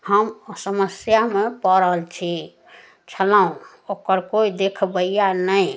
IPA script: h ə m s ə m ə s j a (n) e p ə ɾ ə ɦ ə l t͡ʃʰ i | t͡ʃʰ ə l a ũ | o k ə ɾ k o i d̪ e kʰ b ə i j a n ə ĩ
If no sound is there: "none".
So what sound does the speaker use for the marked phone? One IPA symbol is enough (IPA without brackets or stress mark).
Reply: m